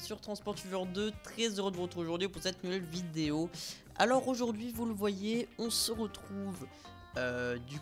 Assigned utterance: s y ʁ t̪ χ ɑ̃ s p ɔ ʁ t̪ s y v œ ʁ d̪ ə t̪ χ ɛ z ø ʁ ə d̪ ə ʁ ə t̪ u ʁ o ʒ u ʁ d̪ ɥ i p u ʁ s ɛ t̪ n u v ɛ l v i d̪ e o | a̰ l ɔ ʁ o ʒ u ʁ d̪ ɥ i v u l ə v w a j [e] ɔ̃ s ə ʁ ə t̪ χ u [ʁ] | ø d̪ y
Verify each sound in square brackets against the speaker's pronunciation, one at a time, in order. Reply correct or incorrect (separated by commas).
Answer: correct, incorrect